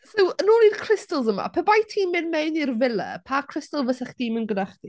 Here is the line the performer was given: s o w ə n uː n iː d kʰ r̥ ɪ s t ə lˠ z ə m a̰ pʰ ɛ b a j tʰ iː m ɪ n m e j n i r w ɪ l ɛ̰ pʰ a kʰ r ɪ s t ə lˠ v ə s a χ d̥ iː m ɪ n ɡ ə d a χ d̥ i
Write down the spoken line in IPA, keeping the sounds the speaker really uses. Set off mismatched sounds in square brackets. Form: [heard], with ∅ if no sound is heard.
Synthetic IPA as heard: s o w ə n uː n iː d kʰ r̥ ɪ s t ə lˠ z ə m a̰ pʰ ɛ b a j tʰ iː m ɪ n m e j n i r [v] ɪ l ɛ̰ pʰ a kʰ r ɪ s t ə lˠ v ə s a χ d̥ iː m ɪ n ɡ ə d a χ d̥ i